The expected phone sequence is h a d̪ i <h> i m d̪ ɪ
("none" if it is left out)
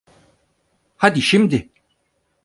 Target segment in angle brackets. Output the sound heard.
ʃ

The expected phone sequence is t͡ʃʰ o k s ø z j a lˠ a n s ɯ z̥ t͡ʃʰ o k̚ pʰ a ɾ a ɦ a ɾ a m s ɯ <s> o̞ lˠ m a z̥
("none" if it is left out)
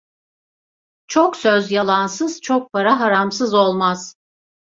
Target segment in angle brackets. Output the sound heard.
z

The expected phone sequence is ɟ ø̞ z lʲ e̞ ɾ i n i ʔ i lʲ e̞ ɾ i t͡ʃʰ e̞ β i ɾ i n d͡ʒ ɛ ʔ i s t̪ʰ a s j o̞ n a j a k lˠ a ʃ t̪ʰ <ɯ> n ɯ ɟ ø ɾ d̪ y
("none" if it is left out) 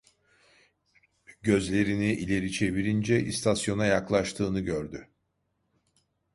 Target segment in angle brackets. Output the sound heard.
ɯː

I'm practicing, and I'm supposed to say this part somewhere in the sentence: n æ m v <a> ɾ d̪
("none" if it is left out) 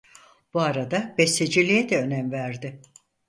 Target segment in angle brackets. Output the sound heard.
æ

